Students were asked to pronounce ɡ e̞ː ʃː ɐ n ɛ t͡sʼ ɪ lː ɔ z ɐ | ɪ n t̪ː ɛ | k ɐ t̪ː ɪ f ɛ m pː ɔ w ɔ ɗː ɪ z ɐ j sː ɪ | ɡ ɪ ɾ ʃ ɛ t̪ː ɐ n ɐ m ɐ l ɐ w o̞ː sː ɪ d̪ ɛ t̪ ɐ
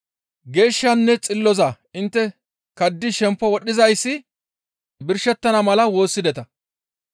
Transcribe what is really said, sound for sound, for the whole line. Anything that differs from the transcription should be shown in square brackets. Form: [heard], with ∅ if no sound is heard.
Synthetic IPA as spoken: ɡ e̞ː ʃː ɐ [nː] ɛ t͡sʼ ɪ lː ɔ z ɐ | ɪ n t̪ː ɛ | k ɐ [d̪ː] ɪ [ʃ] ɛ m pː ɔ w ɔ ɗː ɪ z ɐ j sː ɪ | [b] ɪ ɾ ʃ ɛ t̪ː ɐ n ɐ m ɐ l ɐ w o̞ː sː ɪ d̪ ɛ t̪ ɐ